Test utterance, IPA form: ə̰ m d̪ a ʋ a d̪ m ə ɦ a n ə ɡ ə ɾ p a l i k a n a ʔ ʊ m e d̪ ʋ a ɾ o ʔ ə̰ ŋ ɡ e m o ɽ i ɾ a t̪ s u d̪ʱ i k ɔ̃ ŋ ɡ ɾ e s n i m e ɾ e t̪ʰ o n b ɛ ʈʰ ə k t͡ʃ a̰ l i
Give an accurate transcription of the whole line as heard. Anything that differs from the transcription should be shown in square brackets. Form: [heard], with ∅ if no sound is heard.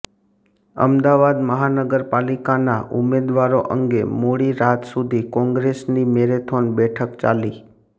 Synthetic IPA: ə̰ m d̪ a ʋ a d̪ m ə ɦ a n ə ɡ ə ɾ p a l i k a n a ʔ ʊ m e d̪ ʋ a ɾ o ʔ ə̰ ŋ ɡ e m o ɽ i ɾ a t̪ s u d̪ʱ i k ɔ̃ ŋ ɡ ɾ e s n i m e ɾ e t̪ʰ o n b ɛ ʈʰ ə k t͡ʃ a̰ l i

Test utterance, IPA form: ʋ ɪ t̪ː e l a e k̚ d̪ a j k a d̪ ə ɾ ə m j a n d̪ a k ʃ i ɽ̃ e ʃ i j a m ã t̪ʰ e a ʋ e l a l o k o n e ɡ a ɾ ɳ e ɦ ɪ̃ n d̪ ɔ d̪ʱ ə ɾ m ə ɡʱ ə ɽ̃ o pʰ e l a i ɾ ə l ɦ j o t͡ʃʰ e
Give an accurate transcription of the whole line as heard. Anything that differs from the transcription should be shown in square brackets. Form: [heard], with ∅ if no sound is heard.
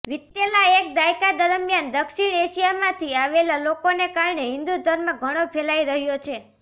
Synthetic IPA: ʋ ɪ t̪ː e l a e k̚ d̪ a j k a d̪ ə ɾ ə m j a n d̪ [ə] k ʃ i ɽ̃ e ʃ i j a m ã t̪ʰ [i] a ʋ e l a l o k o n e [k] a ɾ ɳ e ɦ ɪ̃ n d̪ [u] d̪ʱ ə ɾ m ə ɡʱ ə ɽ̃ o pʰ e l a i ɾ ə [∅] ɦ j o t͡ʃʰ e

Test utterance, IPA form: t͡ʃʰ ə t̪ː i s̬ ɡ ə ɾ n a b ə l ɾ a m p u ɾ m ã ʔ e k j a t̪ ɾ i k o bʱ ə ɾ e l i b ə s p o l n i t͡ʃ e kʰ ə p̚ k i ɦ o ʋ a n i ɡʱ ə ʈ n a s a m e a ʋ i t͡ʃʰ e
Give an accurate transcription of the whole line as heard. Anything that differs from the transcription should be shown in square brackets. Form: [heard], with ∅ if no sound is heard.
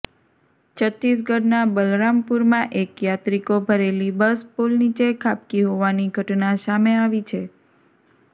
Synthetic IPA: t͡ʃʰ ə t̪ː i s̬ ɡ ə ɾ n a b ə l ɾ a m p u ɾ m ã ʔ e k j a t̪ ɾ i k o bʱ ə ɾ e l i b ə s p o l n i t͡ʃ e kʰ [a] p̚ k i ɦ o ʋ a n i ɡʱ ə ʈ n a s a m e a ʋ i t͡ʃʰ e

